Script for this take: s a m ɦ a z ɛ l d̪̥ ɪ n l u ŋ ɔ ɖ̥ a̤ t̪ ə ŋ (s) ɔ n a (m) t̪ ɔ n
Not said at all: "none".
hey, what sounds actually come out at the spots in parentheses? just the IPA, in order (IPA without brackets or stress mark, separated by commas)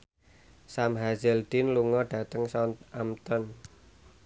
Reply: s, m